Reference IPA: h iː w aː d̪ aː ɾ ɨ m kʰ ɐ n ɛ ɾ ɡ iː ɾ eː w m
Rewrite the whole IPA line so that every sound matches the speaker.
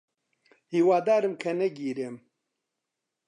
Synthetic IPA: h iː w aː d̪ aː ɾ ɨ m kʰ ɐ n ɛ ɡ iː ɾ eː m